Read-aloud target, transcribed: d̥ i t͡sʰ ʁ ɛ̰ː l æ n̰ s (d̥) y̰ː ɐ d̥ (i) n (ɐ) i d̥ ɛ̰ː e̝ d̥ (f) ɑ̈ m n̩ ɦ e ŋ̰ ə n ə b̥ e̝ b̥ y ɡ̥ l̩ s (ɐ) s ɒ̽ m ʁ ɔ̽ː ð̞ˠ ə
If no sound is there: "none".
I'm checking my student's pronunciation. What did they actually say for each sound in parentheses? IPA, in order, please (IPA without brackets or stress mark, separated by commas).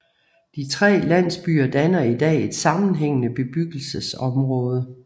b̥, æ, ɐ, s, ə